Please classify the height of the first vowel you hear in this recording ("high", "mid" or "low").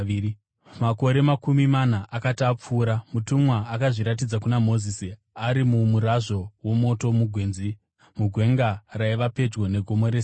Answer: low